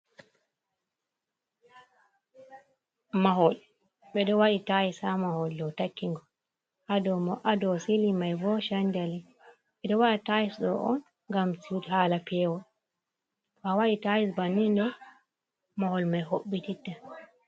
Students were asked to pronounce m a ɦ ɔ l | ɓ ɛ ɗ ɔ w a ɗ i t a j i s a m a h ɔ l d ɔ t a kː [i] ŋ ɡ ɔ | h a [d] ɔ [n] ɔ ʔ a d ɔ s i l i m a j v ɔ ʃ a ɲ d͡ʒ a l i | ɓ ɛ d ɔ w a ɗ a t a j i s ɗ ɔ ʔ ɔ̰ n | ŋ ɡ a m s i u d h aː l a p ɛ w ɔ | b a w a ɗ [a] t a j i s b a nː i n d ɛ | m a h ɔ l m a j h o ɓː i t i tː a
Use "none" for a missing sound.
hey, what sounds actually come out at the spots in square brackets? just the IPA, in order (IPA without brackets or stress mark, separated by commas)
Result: i, d, m, i